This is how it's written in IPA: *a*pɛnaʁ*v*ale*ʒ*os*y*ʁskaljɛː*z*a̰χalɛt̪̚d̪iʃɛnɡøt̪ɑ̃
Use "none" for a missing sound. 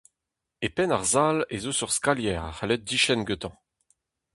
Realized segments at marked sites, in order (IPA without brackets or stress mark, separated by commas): e, z, z, y, ʁ